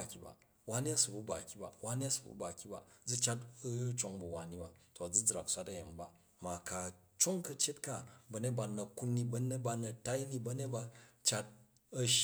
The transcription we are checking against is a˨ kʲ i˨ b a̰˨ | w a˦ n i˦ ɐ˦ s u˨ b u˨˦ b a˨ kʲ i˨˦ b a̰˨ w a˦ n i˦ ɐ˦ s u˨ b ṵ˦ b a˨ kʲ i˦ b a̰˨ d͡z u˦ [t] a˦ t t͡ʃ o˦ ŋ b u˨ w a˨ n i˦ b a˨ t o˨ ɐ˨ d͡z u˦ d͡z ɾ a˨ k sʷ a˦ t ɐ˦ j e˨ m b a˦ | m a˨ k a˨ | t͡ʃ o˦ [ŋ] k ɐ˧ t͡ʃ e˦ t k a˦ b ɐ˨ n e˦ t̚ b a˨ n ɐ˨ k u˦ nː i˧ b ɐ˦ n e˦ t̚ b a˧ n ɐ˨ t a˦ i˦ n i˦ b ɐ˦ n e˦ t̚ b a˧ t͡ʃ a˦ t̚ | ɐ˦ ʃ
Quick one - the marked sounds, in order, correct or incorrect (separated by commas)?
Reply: incorrect, correct